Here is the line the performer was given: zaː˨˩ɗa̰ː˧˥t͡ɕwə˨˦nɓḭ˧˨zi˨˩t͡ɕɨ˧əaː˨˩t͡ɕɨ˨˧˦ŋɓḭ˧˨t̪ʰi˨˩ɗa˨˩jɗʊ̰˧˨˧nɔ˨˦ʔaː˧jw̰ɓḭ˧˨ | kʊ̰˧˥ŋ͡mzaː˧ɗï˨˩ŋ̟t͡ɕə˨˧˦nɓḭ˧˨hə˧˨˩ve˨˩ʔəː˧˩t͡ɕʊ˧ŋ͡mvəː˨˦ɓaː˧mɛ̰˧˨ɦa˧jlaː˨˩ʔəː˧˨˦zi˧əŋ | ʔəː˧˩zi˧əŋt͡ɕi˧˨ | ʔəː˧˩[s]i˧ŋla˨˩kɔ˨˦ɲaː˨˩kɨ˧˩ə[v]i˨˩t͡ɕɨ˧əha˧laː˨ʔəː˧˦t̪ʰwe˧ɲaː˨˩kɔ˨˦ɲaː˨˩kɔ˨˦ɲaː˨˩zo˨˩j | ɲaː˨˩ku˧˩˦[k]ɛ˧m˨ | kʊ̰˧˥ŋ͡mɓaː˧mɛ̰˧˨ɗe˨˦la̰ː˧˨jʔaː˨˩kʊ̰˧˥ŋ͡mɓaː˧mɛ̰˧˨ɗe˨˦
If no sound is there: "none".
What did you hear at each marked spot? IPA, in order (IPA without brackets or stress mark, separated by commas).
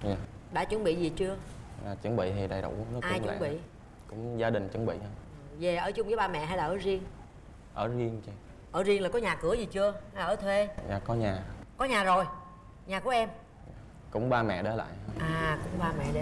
z, z, ʔ